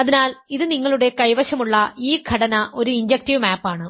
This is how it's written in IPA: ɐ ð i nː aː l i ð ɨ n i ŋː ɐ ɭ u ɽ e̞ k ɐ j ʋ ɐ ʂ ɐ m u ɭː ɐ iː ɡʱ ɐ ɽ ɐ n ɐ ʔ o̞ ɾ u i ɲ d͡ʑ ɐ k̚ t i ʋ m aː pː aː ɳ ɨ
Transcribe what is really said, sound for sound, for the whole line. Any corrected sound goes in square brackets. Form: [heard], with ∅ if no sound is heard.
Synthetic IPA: ɐ ð i [n] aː l i ð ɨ n i ŋː ɐ ɭ u ɽ e̞ k ɐ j ʋ ɐ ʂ ɐ m u ɭː ɐ iː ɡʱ ɐ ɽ ɐ n ɐ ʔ o̞ ɾ u i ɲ d͡ʑ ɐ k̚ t i ʋ m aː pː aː ɳ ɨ